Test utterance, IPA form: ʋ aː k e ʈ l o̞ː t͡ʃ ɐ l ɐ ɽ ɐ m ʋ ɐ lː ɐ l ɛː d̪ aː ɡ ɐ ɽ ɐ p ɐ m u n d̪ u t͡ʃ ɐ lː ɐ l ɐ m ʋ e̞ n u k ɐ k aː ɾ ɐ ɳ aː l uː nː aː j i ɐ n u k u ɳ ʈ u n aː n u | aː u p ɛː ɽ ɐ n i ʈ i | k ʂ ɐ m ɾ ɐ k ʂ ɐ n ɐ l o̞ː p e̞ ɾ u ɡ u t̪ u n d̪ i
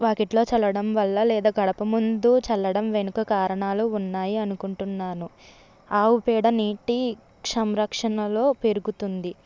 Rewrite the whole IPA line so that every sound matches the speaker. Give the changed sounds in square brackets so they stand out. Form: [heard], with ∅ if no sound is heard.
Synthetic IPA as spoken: ʋ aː k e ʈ l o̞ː t͡ʃ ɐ l ɐ ɽ ɐ m ʋ ɐ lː ɐ l ɛː d̪ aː ɡ ɐ ɽ ɐ p ɐ m u n d̪ u t͡ʃ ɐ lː ɐ [ɽ] ɐ m ʋ e̞ n u k ɐ k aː ɾ ɐ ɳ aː l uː nː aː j i ɐ n u k u ɳ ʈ u [nː] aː n u | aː u p ɛː ɽ ɐ n [iː] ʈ i | k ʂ ɐ m ɾ ɐ k ʂ ɐ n ɐ l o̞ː p e̞ ɾ u ɡ u t̪ u n d̪ i